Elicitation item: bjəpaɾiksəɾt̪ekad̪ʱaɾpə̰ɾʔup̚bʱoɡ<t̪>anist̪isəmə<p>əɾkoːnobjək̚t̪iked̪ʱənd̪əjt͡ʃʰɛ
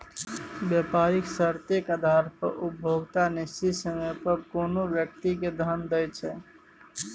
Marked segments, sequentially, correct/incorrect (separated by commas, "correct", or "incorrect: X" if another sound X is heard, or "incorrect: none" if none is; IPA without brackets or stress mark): correct, correct